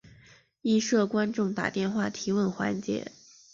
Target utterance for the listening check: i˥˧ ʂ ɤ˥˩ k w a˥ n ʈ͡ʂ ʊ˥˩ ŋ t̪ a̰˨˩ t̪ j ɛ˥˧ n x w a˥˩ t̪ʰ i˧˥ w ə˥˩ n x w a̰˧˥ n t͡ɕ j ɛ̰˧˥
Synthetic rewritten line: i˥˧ ʂ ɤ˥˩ k w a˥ n ʈ͡ʂ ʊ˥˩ ŋ t̪ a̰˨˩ t̪ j ɛ˥˧ n x w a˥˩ t̪ʰ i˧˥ w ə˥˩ n x w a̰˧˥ n t͡ɕ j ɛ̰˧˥